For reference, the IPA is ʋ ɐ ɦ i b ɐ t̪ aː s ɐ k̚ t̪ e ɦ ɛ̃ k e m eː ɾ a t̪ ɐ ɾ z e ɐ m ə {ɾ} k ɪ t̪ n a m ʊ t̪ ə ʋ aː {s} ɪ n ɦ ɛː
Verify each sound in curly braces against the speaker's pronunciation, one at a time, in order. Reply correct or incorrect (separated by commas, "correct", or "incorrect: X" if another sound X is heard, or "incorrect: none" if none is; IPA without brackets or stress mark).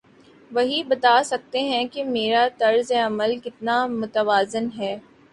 incorrect: l, incorrect: z